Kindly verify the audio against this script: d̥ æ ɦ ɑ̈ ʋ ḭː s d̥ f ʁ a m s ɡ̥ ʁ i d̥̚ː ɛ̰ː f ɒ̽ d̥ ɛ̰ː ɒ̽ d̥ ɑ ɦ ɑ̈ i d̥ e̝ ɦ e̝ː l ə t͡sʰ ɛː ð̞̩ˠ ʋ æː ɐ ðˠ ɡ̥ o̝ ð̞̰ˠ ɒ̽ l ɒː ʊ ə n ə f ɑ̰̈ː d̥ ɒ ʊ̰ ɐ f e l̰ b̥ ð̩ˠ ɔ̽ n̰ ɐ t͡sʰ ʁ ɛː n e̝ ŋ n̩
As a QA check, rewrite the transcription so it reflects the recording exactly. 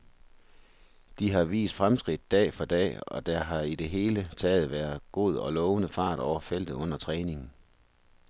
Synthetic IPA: d̥ i ɦ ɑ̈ ʋ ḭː s d̥ f ʁ a m s ɡ̥ ʁ i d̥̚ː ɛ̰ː f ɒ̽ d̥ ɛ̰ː ɒ̽ d̥ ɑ ɦ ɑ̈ i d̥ e̝ ɦ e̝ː l ə t͡sʰ ɛː ð̞̩ˠ ʋ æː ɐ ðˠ ɡ̥ o̝ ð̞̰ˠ ɒ̽ l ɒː ʊ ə n ə f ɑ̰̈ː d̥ ɒ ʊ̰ ɐ f e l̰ d̥ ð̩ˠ ɔ̽ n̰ ɐ t͡sʰ ʁ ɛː n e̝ ŋ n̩